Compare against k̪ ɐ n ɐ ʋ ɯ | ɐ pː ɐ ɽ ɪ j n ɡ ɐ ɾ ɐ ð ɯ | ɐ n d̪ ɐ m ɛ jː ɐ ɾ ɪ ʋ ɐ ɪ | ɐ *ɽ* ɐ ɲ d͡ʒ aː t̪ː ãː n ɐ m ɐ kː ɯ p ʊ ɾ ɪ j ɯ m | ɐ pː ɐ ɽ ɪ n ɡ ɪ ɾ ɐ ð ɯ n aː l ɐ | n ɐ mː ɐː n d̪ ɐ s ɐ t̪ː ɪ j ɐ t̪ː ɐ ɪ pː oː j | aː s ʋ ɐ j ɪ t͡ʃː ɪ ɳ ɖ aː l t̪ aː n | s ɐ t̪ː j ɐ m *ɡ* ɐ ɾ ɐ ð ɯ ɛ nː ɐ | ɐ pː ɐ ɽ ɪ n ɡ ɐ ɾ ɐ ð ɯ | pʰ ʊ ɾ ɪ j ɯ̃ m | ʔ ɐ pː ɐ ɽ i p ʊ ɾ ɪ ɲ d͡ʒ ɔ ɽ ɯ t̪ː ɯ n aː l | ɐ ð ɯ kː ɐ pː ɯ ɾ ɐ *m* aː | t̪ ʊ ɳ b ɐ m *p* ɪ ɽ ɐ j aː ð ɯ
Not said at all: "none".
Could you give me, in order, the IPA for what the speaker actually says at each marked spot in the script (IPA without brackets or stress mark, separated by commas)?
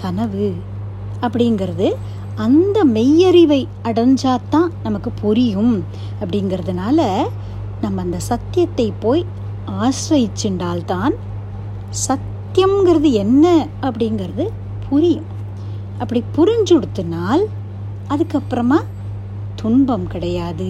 ɽ, ɡ, m, k